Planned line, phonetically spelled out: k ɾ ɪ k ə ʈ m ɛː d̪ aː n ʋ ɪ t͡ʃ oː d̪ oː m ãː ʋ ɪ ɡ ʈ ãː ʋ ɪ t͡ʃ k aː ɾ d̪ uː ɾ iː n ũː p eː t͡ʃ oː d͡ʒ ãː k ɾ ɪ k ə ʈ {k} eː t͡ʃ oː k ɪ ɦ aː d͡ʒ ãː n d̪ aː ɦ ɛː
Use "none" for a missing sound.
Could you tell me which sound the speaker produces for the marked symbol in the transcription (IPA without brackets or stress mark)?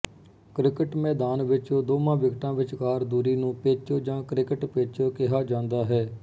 p